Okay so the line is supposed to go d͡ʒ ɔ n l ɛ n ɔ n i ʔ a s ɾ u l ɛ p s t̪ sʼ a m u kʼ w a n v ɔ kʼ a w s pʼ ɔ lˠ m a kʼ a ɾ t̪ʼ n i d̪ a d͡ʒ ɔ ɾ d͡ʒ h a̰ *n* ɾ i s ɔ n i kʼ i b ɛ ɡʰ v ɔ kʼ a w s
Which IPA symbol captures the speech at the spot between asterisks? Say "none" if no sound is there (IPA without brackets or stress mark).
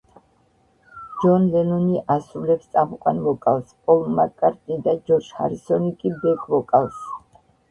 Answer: none